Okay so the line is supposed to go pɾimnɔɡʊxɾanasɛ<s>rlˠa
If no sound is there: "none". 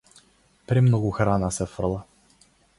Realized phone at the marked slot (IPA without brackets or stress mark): f